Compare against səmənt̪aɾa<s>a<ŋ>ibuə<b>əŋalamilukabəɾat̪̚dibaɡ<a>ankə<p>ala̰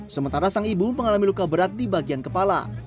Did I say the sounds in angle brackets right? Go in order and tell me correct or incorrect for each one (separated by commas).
correct, correct, incorrect, incorrect, correct